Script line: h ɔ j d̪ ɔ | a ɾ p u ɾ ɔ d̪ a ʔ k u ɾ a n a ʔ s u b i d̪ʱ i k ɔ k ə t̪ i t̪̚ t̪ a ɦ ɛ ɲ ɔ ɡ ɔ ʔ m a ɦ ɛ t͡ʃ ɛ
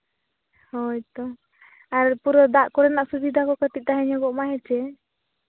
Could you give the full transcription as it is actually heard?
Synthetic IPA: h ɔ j t̪ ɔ | a ɾ p u ɾ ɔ d̪ a ʔ k ɔ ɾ ɛ n a ʔ s u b i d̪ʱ a k ɔ k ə t̪ i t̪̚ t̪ a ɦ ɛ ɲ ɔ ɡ ɔ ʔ m a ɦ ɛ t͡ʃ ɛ